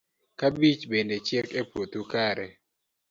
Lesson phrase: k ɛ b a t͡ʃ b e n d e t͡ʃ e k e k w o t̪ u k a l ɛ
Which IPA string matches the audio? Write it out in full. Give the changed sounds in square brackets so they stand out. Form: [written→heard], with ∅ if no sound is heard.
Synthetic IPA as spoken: k [ɛ→a] b [a→i] t͡ʃ b e n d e t͡ʃ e k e [k→p] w o t̪ u k a [l→ɾ] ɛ